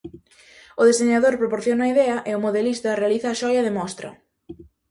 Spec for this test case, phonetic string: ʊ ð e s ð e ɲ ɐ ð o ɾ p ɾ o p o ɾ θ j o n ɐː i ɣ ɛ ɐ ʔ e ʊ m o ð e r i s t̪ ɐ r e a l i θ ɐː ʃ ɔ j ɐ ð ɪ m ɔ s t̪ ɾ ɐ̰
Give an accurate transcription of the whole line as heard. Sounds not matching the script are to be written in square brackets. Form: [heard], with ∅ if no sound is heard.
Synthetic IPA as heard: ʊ ð e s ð e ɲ [a] ð o ɾ p ɾ o p o ɾ θ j o n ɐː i [ð] ɛ ɐ ʔ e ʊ m o ð e [l] i s t̪ ɐ r e a l i θ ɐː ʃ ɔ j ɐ ð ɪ m ɔ s t̪ ɾ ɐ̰